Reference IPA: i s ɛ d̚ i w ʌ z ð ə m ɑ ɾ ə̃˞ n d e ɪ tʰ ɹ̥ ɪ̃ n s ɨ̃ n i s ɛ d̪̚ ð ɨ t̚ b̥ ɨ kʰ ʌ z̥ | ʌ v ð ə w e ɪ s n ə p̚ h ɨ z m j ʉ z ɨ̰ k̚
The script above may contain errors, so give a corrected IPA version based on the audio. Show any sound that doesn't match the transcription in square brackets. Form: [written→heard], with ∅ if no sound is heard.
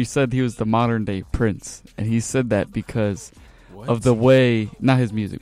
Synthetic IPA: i s ɛ d̚ i w ʌ z ð ə m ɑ ɾ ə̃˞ n d e ɪ [tʰ→pʰ] ɹ̥ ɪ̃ n s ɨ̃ n i s ɛ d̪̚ ð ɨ t̚ b̥ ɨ kʰ ʌ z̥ | ʌ v ð ə w e ɪ [s→∅] n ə [p̚→t̚] h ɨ z m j ʉ z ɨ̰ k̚